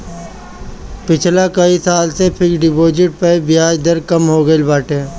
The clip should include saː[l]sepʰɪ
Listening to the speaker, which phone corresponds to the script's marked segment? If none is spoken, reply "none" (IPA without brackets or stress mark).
l